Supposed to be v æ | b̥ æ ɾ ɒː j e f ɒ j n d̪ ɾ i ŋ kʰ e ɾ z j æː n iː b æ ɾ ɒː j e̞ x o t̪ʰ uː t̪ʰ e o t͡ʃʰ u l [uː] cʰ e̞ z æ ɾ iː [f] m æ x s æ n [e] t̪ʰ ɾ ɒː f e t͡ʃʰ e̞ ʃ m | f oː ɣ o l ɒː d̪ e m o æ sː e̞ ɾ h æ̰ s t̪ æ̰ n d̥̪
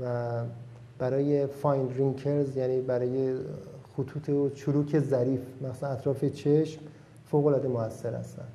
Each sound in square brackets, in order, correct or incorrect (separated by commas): correct, correct, incorrect